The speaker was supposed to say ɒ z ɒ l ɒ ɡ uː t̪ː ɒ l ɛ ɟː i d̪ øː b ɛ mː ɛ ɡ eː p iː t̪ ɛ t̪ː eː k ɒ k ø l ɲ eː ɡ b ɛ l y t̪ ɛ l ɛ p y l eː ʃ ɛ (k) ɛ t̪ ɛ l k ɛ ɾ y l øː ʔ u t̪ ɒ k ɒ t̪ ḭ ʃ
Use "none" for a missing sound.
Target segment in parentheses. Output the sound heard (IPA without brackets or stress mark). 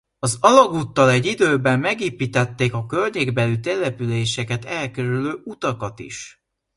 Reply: k